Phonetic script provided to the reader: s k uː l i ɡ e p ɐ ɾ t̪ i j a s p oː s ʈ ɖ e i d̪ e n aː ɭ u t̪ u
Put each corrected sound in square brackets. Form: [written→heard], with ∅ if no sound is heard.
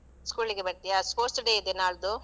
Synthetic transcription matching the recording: s k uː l i ɡ e [p→b] ɐ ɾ t̪ i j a s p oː s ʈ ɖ e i d̪ e n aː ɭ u [t̪→d̪] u